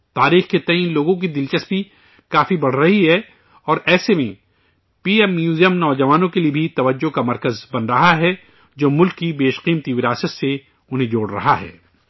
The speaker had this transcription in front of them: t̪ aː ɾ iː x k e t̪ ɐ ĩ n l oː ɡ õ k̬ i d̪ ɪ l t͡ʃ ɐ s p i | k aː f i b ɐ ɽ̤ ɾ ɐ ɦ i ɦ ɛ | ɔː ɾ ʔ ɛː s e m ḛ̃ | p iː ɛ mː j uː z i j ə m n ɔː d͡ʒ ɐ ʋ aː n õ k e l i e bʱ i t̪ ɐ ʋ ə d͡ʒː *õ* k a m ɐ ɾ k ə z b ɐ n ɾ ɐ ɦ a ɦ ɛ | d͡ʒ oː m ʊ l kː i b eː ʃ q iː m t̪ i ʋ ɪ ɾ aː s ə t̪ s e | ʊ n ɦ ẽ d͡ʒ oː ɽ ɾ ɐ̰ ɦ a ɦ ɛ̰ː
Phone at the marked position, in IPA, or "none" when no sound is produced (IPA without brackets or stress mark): o